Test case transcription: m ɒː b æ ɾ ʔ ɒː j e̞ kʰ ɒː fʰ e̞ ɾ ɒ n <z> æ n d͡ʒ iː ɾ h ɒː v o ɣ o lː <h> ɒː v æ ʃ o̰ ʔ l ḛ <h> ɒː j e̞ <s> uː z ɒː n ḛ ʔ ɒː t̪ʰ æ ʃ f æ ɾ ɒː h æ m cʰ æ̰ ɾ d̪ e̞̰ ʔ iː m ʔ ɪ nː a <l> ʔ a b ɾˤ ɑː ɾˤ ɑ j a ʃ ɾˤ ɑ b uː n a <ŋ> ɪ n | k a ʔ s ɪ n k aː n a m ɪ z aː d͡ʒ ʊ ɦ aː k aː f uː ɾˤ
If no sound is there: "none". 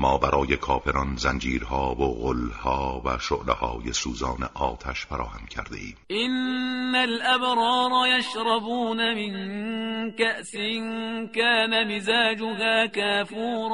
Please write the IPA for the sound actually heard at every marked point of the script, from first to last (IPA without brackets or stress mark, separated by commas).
z, h, h, s, l, m